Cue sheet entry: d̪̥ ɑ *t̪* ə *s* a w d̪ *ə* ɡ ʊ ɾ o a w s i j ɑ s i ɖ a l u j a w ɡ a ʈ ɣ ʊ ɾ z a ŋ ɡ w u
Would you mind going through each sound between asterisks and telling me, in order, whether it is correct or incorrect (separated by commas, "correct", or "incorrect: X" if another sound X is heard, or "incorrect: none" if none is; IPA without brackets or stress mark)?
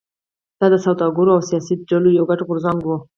incorrect: d̪, correct, incorrect: ɑ